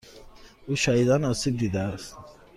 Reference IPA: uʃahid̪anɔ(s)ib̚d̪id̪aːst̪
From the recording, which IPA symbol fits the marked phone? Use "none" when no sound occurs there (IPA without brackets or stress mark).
s